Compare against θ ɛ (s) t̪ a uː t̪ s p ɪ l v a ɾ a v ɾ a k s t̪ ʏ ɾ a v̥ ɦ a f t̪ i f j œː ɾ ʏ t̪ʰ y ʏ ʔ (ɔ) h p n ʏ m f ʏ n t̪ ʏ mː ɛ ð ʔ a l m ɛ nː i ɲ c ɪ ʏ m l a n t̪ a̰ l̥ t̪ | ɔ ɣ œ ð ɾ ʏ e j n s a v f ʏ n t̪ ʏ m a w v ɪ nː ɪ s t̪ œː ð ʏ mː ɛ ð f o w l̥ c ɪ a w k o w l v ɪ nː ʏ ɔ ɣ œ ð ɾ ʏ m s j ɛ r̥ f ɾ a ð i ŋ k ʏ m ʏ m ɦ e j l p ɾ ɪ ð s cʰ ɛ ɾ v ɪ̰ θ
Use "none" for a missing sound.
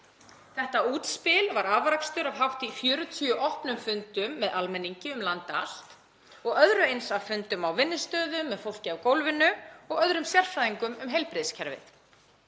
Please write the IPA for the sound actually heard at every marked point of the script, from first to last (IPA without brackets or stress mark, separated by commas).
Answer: h, ɔ